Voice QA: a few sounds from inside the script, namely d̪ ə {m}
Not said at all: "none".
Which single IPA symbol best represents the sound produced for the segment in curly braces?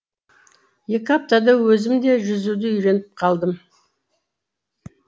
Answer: m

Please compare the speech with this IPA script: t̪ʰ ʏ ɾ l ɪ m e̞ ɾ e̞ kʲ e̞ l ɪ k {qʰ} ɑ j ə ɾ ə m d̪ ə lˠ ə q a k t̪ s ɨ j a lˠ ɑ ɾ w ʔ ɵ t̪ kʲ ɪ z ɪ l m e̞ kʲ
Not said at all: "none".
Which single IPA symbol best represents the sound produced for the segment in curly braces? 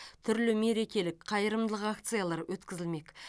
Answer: qʰ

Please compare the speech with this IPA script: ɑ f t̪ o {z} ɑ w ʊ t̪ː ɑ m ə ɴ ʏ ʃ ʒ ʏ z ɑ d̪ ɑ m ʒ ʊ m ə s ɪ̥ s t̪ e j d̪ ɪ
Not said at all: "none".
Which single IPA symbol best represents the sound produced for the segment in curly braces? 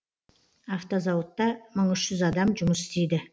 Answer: z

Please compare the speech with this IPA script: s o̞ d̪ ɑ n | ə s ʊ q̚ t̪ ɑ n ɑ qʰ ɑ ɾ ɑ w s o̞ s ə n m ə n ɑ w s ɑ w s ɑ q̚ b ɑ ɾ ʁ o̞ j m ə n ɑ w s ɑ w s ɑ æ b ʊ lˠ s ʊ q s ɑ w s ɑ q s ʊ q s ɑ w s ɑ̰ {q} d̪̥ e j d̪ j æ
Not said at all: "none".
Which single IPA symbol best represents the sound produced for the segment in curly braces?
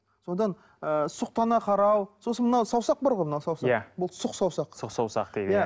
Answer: q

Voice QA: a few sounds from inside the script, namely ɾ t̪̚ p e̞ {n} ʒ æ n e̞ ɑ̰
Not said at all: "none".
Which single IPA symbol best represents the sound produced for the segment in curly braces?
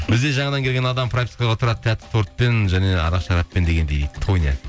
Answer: n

